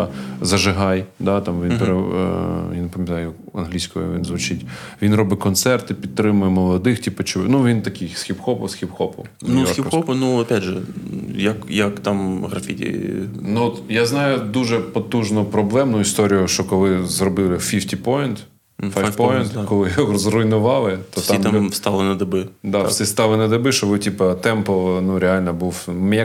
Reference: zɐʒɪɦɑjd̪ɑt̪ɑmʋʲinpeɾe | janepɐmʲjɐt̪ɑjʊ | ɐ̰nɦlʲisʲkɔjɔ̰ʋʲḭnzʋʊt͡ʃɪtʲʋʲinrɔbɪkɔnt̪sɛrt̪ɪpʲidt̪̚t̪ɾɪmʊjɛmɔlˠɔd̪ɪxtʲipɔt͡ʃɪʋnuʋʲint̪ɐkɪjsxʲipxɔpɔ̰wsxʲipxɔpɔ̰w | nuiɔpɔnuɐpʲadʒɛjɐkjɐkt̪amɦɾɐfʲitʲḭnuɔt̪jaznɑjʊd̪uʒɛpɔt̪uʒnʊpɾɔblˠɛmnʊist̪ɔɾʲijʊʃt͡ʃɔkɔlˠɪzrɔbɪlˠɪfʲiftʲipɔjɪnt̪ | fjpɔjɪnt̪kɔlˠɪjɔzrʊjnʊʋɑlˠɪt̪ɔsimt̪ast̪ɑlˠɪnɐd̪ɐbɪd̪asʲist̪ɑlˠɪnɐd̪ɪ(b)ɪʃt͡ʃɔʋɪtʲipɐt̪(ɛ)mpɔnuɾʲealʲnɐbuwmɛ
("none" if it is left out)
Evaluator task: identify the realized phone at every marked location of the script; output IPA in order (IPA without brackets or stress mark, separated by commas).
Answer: b, ɛ